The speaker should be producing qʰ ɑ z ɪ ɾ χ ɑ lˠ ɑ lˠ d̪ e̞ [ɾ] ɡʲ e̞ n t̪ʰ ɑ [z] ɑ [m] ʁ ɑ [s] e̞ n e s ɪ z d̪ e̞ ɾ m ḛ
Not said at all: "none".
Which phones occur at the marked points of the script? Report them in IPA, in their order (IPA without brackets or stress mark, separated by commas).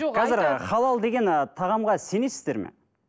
none, ʁ, m, s